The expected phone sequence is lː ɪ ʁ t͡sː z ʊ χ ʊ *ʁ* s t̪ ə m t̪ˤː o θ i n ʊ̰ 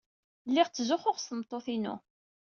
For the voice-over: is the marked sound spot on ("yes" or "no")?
yes